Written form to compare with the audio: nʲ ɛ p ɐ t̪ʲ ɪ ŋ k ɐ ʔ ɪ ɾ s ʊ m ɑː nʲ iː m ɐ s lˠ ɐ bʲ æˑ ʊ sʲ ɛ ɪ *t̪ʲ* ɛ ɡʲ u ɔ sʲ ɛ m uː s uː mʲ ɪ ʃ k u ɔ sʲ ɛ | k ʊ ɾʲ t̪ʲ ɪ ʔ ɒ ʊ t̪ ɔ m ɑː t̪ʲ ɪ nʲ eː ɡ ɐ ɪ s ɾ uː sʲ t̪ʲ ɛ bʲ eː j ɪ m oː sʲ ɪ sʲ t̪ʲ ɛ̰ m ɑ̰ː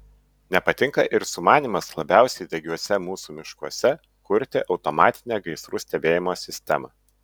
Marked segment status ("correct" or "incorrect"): incorrect